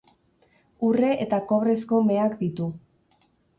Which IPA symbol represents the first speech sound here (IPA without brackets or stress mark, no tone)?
u